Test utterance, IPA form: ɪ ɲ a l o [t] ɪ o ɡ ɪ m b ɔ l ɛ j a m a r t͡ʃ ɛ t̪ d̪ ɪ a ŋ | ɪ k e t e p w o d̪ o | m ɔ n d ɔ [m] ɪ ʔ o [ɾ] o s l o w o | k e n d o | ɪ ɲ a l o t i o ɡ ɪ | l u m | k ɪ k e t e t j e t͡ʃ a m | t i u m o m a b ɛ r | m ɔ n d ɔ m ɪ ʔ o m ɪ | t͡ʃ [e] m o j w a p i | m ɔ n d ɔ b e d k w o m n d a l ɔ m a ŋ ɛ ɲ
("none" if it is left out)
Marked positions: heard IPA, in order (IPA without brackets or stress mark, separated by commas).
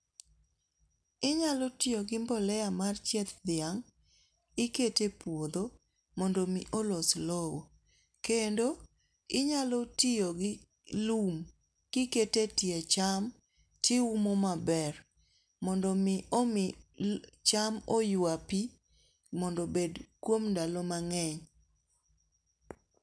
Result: t, m, l, a